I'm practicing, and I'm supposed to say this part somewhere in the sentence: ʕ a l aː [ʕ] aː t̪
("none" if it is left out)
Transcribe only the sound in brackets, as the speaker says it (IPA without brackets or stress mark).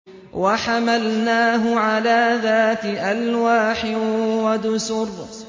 ð